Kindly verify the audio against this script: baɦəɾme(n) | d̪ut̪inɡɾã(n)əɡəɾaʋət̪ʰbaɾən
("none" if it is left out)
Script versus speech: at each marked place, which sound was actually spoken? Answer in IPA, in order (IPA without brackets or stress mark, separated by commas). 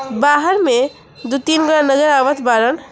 none, n